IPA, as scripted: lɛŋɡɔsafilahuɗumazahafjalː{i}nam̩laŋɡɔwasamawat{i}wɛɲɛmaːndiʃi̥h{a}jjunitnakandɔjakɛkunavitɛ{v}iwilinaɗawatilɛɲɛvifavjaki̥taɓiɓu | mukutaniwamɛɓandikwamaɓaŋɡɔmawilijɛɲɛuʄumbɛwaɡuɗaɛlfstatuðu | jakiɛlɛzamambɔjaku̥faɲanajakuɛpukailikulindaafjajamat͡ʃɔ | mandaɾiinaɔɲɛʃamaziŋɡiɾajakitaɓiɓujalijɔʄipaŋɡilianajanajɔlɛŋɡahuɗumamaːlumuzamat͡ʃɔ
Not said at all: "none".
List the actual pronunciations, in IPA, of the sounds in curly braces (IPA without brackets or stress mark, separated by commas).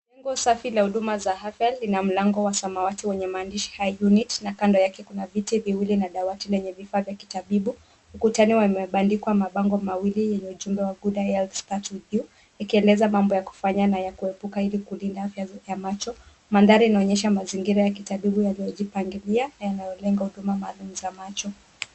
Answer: i, i, a, v